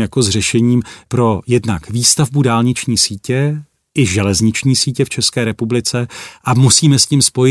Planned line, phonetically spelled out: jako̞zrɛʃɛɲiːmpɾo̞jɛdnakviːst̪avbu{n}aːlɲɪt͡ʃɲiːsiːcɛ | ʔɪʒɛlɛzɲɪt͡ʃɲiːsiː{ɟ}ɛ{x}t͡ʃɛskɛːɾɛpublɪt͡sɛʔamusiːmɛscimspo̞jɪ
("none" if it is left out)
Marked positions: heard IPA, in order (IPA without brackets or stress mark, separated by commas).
d, c, f